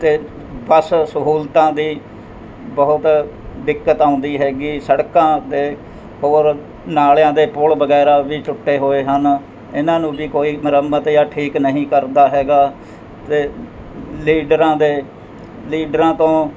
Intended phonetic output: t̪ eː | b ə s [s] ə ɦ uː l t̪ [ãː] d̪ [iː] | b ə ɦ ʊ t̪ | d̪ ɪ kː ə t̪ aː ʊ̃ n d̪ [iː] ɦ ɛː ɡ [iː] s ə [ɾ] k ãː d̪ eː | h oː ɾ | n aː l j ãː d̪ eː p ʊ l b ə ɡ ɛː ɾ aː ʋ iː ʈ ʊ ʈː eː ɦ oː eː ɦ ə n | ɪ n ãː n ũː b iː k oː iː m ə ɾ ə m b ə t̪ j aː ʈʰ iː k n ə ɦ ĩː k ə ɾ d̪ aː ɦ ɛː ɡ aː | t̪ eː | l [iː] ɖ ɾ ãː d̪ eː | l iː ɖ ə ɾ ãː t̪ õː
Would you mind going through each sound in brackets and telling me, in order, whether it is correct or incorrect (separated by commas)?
correct, correct, correct, correct, correct, incorrect, correct